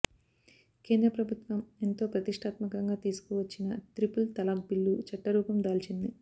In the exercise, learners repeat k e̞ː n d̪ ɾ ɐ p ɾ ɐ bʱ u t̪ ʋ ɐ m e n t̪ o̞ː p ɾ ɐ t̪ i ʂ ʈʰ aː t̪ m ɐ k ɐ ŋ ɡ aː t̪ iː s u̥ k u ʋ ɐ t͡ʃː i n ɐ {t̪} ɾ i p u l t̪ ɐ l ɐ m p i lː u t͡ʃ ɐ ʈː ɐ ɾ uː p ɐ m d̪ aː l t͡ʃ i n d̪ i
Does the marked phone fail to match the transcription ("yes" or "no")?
no